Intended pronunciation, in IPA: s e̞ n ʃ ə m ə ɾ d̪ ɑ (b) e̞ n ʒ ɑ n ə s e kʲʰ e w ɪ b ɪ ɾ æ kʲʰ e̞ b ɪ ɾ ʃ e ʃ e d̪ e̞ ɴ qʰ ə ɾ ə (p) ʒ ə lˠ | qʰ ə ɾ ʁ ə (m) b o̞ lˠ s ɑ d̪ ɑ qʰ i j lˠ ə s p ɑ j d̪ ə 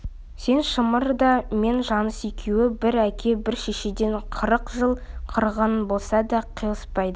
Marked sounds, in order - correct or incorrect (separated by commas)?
incorrect, incorrect, incorrect